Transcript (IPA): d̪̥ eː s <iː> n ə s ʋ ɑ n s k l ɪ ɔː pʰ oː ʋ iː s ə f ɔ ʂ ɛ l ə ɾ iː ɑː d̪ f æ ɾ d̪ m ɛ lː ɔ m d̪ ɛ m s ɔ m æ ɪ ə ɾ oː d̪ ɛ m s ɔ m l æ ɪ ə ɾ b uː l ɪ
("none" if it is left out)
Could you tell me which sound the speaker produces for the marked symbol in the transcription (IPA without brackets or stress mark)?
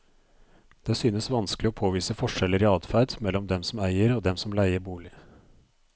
yː